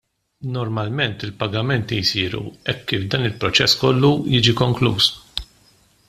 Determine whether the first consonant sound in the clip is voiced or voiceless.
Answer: voiced